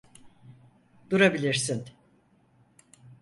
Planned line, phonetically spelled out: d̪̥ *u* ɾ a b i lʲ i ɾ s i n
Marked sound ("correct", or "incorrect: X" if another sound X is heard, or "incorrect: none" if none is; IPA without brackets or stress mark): correct